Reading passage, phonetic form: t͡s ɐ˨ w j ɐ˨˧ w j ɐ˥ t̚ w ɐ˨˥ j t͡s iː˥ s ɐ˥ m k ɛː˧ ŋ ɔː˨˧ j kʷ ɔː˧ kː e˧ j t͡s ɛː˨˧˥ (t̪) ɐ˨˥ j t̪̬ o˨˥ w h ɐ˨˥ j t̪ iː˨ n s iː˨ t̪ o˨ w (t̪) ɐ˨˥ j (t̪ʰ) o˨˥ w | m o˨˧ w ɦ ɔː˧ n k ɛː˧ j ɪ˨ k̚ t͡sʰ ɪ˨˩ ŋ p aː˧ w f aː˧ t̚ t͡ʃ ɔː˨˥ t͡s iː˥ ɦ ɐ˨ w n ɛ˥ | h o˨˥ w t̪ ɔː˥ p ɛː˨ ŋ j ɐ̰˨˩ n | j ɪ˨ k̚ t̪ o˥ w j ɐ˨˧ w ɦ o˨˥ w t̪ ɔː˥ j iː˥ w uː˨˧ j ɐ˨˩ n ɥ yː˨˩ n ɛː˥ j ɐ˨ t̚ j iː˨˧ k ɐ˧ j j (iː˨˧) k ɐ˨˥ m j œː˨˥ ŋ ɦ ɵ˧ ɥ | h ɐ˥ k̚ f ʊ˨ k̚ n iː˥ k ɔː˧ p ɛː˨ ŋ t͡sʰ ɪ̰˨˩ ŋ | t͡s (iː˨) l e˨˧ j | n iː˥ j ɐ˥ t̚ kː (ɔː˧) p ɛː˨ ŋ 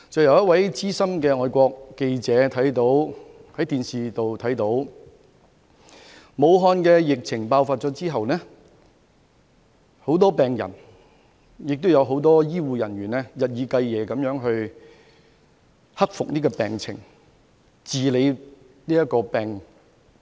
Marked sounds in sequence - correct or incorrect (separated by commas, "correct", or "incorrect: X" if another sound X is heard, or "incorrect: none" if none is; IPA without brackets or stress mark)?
incorrect: t̪ʰ, incorrect: t̪ʰ, incorrect: t̪, incorrect: ɛː˨˧, correct, correct